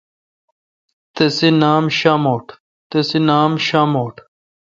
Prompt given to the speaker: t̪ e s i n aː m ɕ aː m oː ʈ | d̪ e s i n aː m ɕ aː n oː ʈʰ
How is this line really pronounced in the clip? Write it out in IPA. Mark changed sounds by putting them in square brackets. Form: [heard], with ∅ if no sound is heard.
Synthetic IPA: t̪ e s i n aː m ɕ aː m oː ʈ | [t̪] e s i n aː m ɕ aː [m] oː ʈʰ